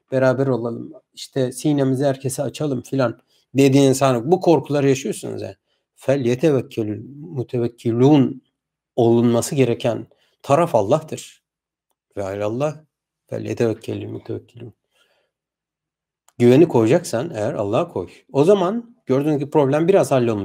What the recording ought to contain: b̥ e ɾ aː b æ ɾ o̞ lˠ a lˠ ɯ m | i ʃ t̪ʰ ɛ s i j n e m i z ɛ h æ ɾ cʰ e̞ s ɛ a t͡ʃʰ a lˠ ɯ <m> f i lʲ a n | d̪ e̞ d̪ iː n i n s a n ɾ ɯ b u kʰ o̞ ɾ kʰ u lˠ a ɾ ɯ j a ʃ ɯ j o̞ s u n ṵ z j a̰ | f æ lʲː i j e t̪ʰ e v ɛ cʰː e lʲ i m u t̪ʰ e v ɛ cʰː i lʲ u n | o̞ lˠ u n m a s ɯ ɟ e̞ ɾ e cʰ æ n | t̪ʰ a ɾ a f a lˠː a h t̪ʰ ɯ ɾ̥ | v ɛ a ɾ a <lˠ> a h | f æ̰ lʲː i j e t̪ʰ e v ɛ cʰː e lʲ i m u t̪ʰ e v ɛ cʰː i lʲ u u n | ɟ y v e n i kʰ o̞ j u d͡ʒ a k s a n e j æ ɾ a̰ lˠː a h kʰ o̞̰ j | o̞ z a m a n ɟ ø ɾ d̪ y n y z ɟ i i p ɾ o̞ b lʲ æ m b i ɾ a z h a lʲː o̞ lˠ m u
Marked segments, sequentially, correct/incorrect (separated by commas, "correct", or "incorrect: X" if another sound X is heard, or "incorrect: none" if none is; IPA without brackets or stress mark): correct, incorrect: lˠː